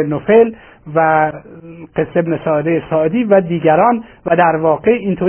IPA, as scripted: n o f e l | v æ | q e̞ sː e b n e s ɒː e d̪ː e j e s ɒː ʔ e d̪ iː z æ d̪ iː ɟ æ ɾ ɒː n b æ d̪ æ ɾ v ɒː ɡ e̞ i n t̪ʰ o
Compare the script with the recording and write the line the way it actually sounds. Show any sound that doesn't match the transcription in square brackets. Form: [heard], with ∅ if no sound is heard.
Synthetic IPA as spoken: n o f e l | v æ | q e̞ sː e b n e s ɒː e [d̪] e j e s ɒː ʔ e d̪ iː [v] æ d̪ iː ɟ æ ɾ ɒː n [v] æ d̪ æ ɾ v ɒː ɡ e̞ i n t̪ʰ o